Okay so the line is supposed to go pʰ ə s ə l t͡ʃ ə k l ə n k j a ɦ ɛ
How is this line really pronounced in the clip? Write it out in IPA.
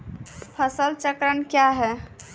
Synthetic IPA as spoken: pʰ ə s ə l t͡ʃ ə k ɾ ə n k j a ɦ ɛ